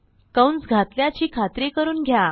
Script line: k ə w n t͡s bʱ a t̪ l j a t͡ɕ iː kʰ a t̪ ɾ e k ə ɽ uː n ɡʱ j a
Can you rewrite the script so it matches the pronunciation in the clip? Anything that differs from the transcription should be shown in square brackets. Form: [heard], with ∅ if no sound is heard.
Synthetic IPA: k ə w n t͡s [ɡʱ] a t̪ l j a t͡ɕ iː kʰ a t̪ ɾ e k ə [ɾ] uː n ɡʱ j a